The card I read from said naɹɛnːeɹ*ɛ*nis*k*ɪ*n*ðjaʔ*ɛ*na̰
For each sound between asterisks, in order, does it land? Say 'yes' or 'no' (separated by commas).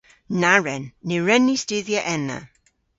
yes, no, no, yes